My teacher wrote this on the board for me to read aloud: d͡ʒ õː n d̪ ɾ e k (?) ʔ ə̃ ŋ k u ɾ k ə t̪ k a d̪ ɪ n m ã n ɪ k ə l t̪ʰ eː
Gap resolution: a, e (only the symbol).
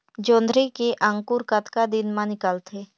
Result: e